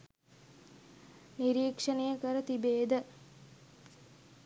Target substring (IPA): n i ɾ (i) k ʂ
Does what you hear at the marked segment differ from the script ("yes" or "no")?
yes